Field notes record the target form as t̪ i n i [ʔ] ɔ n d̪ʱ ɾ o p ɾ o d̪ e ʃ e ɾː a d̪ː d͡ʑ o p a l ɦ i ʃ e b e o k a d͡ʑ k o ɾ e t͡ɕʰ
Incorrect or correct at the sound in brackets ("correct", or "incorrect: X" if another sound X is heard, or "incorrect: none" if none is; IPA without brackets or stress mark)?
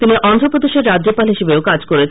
correct